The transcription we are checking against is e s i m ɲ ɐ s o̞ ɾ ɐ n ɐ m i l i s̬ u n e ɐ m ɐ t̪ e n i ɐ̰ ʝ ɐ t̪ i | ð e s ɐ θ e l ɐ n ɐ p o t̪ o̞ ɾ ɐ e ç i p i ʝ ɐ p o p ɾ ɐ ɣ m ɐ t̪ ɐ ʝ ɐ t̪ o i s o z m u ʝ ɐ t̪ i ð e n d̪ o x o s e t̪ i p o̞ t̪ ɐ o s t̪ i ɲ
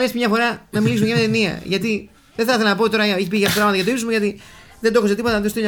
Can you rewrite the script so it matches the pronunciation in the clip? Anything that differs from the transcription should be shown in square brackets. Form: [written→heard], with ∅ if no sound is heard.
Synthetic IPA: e s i m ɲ ɐ [s→f] o̞ ɾ ɐ n ɐ m i l i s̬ u [n→m] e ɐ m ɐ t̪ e n i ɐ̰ ʝ ɐ t̪ i | ð e [s→θ] ɐ θ e l ɐ n ɐ p o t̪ o̞ ɾ ɐ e ç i p i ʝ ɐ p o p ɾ ɐ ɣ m ɐ t̪ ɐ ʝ ɐ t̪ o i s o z m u ʝ ɐ t̪ i ð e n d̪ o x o s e t̪ i p o̞ t̪ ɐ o s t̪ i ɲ